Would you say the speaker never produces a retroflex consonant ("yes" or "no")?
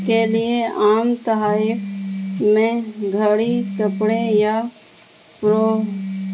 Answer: no